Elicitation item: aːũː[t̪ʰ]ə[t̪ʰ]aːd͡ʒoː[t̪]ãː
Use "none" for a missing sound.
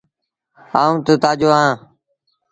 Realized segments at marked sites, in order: t̪, t̪, none

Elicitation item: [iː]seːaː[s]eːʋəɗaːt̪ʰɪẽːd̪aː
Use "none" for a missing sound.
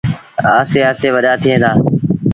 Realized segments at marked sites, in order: aː, s

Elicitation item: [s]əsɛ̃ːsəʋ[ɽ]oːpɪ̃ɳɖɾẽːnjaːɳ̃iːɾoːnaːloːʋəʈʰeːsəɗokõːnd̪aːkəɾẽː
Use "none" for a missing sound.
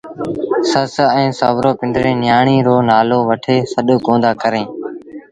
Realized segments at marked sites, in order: s, ɾ

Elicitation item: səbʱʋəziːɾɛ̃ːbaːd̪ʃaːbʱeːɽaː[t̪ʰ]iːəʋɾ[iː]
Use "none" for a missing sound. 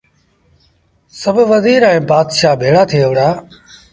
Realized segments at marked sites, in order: t̪ʰ, aː

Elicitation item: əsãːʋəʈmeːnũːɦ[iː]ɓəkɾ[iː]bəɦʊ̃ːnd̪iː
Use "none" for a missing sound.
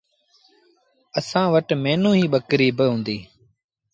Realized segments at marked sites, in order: iː, iː

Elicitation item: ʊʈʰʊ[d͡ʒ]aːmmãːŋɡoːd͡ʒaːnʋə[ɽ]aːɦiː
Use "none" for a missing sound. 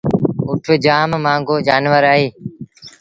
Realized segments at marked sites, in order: d͡ʒ, ɾ

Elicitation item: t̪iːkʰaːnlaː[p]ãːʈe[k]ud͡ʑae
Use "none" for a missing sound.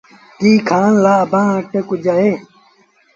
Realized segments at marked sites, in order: b, k

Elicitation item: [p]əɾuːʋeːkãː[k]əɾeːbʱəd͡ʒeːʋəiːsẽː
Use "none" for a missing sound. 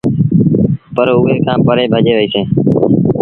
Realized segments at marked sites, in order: p, p

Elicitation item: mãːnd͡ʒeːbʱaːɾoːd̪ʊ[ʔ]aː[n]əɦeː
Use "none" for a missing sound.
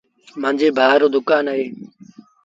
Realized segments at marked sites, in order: k, n

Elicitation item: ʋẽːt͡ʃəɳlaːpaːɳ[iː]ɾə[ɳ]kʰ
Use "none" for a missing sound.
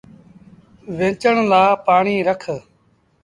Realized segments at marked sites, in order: iː, none

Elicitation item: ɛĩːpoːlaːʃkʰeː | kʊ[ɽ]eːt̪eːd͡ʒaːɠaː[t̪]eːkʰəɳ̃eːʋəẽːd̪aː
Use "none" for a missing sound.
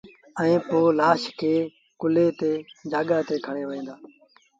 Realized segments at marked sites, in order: l, t̪

